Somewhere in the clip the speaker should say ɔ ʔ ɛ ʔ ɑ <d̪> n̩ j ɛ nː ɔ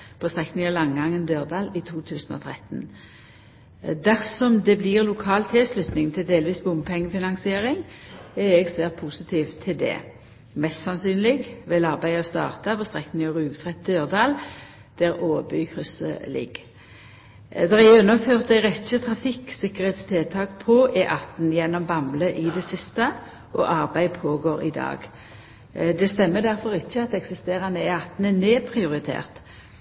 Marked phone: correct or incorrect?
incorrect